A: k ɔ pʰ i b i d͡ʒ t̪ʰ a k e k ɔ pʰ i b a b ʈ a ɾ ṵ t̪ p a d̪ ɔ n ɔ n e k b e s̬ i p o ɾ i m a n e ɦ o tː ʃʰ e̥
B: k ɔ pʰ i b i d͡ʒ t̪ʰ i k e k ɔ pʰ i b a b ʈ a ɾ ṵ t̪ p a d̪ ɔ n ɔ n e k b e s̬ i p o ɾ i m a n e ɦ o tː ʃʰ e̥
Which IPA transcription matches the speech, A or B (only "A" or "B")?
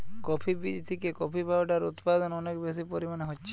B